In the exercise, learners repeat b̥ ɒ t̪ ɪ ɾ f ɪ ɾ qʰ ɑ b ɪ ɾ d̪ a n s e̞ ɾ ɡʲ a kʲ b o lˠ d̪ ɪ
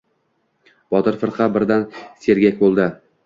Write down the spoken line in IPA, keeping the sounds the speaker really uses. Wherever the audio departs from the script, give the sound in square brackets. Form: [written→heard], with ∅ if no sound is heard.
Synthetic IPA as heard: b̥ ɒ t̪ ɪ ɾ f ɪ ɾ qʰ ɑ b ɪ ɾ d̪ a n s e̞ ɾ ɡʲ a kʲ b o lˠ d̪ ɪ